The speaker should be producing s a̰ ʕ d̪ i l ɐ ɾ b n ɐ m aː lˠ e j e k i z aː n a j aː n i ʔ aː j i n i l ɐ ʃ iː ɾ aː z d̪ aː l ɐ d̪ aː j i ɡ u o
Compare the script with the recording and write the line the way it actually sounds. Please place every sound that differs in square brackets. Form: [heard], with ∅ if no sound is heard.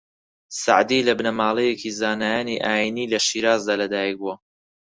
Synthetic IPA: s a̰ ʕ d̪ i l ɐ [∅] b n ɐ m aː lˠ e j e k i z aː n a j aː n i ʔ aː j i n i l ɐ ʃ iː ɾ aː z d̪ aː l ɐ d̪ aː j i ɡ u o